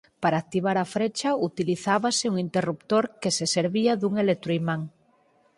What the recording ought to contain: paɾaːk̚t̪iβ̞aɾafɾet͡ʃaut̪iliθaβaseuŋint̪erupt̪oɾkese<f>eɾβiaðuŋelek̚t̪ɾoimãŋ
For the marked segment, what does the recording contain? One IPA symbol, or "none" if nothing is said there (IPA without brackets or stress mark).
s